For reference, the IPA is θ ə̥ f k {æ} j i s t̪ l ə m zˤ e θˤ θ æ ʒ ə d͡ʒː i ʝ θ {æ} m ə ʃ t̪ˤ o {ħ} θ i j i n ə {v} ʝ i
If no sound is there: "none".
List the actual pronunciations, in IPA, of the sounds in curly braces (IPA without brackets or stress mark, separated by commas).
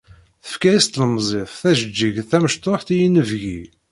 æ, æ, ħ, v